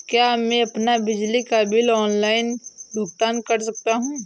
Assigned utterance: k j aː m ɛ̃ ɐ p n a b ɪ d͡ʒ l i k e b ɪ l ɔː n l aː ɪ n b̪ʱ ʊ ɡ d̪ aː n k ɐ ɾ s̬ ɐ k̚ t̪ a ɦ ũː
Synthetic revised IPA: k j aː m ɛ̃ ɐ p n a b ɪ d͡ʒ l i k a b ɪ l ɔː n l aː ɪ n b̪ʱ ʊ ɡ t̪ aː n k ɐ ɾ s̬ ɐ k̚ t̪ a ɦ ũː